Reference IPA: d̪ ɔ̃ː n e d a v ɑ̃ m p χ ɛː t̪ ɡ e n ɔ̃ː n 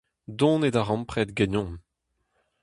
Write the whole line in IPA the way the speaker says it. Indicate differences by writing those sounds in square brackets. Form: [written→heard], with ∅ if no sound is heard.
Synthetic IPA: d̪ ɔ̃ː n e d a [v→ʁ] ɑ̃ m p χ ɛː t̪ ɡ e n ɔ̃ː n